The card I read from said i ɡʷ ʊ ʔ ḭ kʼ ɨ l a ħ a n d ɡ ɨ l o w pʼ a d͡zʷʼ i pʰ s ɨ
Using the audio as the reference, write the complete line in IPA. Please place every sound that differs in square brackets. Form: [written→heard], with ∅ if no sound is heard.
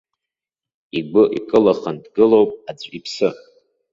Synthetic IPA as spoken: i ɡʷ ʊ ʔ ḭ kʼ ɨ l a [ħ→χ] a n d ɡ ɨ l o w pʼ a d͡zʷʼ i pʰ s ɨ